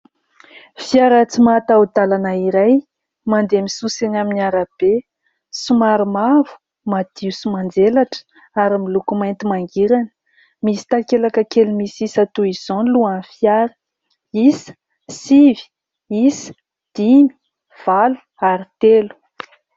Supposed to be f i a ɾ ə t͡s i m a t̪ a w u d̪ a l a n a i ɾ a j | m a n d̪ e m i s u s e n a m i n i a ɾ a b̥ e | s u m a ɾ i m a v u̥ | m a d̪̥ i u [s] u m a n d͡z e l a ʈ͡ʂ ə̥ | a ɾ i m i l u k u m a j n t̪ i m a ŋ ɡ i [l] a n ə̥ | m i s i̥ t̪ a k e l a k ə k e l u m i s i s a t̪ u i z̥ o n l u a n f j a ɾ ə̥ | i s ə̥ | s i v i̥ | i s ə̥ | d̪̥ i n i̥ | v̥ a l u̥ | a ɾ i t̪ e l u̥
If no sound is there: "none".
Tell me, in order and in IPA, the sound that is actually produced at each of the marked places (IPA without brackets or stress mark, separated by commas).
s, ɾ